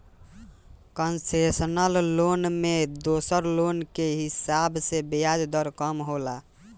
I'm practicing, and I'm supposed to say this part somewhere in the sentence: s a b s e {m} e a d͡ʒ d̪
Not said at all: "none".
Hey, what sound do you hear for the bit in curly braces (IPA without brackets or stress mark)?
b